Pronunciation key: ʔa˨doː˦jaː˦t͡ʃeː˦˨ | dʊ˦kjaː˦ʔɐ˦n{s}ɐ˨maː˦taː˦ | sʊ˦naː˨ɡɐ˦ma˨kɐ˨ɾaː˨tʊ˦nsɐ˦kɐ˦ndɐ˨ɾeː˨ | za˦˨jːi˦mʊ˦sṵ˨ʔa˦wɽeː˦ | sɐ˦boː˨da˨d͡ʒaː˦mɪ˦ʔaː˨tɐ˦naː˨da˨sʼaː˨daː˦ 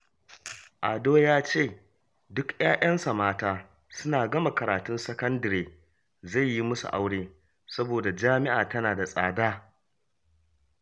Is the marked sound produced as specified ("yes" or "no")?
yes